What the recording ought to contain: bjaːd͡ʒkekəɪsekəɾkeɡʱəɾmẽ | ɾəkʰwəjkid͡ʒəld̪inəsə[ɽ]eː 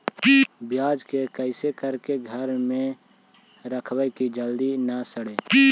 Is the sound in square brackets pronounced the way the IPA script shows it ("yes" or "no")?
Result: yes